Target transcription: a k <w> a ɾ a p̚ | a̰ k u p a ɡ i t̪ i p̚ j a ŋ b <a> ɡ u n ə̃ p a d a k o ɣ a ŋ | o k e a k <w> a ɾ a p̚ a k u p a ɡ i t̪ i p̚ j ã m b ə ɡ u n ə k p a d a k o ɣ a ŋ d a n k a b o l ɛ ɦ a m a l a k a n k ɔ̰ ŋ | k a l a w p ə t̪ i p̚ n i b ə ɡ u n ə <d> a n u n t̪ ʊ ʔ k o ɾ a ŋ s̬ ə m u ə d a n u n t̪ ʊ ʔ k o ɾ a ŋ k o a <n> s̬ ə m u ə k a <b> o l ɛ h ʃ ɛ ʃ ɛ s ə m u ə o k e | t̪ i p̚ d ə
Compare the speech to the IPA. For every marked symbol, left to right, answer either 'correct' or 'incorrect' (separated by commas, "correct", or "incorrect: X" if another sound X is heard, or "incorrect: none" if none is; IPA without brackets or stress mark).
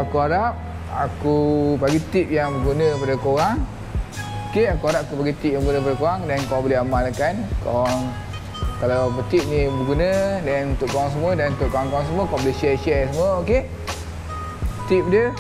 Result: incorrect: u, incorrect: ə, incorrect: u, correct, incorrect: ŋ, correct